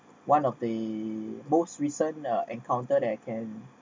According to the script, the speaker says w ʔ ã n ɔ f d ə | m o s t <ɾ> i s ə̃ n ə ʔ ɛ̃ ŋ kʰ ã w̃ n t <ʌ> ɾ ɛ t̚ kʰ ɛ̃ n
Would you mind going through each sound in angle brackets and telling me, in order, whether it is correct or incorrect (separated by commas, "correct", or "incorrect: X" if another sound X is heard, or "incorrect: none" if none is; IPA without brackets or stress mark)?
incorrect: ɹ, incorrect: ə